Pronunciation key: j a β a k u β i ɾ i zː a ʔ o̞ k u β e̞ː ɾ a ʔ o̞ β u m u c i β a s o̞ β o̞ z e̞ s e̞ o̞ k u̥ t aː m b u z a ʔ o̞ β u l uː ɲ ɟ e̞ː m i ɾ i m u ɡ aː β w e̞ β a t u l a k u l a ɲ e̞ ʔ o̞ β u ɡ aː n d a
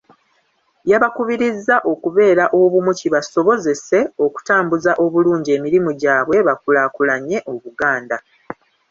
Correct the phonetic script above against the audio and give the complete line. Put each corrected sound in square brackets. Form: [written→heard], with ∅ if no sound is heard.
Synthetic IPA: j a β a k u β i ɾ i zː a ʔ o̞ k u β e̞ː ɾ a ʔ o̞ β u m u c i β a s o̞ β o̞ z e̞ s e̞ o̞ k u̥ t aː m b u z a ʔ o̞ β u l uː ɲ ɟ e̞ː m i ɾ i m u [ɡ→ɟ] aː β w e̞ β a [t→k] u l a k u l a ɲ e̞ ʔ o̞ β u ɡ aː n d a